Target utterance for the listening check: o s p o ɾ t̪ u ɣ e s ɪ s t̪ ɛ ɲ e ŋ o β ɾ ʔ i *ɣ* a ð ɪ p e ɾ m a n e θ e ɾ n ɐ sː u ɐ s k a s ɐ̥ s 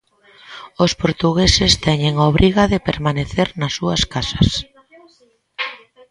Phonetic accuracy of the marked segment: correct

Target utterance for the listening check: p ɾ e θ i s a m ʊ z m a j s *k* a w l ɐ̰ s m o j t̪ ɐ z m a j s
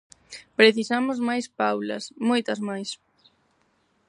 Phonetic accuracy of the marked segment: incorrect: p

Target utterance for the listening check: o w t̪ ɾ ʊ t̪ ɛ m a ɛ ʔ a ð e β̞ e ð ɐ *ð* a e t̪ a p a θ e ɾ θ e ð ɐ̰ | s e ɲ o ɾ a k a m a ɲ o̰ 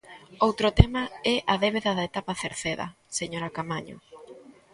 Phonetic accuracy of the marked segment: correct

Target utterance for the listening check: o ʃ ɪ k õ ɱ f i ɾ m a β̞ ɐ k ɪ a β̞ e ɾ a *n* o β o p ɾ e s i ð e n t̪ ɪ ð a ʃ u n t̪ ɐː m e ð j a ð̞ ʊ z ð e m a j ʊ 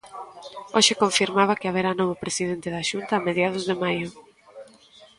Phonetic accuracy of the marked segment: correct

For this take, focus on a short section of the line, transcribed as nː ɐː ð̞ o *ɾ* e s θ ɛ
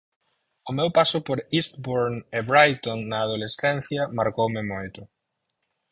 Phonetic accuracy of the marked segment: incorrect: l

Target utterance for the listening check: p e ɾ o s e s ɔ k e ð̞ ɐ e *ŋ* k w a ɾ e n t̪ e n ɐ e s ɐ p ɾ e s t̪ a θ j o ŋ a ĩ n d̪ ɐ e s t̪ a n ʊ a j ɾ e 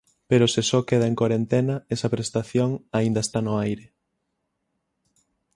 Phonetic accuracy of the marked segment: correct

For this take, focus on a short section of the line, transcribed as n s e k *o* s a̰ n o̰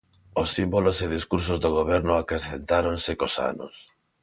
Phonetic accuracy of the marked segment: correct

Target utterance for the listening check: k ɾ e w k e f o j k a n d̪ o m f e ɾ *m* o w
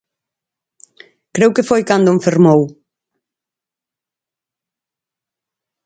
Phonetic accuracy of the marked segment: correct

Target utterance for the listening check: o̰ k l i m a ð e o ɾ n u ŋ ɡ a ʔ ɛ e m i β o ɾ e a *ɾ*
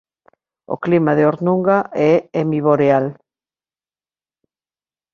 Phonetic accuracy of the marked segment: incorrect: l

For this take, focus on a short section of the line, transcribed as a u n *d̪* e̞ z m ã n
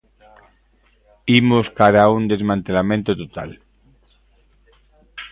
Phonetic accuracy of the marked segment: correct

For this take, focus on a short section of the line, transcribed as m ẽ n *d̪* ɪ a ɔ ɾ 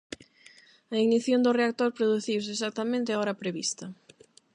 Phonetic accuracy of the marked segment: incorrect: t̪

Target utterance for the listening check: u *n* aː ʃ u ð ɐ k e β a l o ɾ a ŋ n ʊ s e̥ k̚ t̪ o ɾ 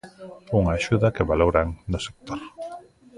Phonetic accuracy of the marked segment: incorrect: ŋ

